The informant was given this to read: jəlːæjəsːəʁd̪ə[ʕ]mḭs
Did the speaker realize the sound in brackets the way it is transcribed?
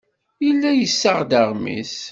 no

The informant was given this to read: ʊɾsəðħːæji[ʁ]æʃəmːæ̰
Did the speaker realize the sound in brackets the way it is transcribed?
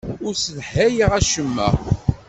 yes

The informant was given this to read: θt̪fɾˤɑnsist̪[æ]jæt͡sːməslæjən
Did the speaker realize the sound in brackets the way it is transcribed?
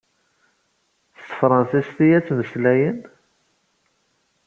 no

